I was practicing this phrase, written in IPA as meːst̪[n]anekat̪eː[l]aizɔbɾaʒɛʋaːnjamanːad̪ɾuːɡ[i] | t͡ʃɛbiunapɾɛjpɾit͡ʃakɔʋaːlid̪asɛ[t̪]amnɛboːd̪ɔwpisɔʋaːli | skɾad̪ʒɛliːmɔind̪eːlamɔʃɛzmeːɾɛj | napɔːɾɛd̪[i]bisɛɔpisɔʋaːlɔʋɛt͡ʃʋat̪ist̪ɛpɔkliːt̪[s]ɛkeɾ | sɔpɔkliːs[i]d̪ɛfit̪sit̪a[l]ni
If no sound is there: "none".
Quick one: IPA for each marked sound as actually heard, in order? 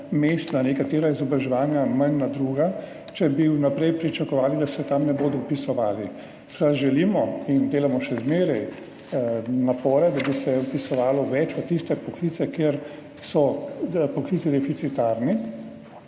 n, ɾ, a, t̪, a, s, i, ɾ

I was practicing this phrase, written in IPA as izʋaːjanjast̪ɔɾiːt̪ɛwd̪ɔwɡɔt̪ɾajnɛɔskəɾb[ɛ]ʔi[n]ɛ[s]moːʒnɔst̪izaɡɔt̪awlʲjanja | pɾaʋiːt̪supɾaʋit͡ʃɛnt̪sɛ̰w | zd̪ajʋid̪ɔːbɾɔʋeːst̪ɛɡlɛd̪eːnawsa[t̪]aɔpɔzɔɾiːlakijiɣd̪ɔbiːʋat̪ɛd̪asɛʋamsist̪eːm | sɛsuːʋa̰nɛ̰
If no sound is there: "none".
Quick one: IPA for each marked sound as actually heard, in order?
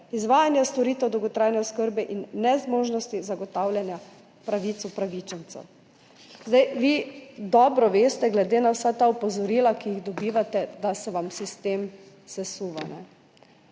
ɛ, nː, z, t̪

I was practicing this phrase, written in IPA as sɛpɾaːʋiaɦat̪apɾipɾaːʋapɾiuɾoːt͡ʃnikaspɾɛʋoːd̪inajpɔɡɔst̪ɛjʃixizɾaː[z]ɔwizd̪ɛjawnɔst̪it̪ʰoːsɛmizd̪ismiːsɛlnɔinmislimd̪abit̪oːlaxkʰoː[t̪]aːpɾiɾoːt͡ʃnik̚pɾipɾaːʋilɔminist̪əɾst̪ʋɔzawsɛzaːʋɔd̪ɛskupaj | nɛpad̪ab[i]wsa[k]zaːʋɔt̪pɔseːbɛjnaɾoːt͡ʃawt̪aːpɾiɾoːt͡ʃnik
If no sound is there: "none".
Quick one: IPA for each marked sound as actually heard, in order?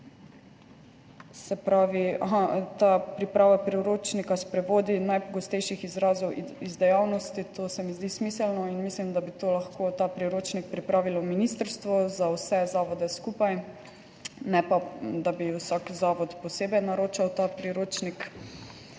z, t̪, i, k

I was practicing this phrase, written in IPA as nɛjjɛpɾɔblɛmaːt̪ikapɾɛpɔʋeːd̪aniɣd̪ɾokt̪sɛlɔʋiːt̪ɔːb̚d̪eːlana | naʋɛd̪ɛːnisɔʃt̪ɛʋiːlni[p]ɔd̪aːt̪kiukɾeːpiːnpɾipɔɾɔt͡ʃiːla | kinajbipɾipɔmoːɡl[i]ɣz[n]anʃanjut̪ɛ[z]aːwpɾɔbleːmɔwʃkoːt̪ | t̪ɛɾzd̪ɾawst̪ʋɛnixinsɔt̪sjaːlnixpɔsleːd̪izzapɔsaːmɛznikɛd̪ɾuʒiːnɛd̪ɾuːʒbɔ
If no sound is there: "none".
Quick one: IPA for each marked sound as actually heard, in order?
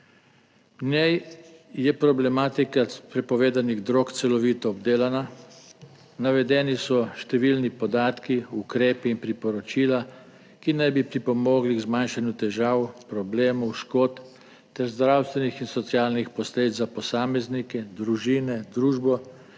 p, i, m, ʒ

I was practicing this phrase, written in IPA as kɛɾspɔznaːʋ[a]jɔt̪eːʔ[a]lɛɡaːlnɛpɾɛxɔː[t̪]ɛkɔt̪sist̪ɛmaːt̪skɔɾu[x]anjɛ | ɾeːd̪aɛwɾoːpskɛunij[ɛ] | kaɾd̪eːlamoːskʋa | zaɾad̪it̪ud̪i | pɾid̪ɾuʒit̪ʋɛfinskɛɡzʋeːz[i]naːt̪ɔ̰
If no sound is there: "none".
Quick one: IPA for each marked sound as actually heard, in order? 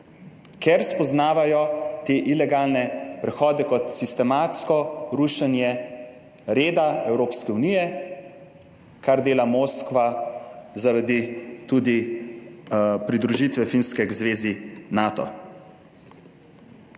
a, i, d̪, ʃ, ɛ, i

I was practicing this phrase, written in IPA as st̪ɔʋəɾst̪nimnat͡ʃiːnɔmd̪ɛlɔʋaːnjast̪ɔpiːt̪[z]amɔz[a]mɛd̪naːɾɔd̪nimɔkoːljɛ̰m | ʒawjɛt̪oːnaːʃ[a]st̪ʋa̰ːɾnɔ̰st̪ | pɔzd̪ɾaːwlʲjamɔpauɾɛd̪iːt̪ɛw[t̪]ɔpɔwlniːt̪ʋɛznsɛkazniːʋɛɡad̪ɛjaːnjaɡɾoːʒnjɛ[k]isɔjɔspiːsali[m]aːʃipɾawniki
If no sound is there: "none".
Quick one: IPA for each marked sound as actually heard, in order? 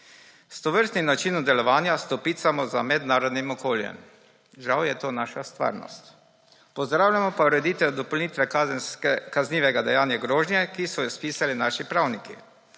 s, a, a, d̪, k, n

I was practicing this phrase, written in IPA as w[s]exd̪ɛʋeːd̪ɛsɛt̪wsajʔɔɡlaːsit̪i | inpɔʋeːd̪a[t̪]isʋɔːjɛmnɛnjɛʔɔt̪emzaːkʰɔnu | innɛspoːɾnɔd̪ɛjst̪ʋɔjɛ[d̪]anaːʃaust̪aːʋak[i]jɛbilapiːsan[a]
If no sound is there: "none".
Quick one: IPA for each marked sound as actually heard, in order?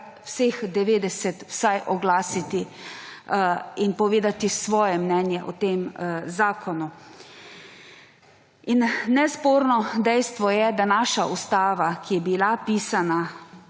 s, t̪, d̪, i, a

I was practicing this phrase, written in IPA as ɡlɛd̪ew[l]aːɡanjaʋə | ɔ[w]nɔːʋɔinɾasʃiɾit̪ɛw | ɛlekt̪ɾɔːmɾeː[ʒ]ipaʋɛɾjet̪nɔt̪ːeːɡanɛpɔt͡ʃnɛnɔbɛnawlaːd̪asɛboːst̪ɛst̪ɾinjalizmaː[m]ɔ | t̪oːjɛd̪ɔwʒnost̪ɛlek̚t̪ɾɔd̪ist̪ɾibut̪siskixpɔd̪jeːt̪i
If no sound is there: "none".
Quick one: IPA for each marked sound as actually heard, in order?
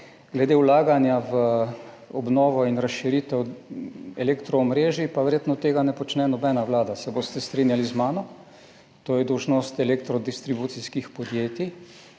l, b, ʒ, n

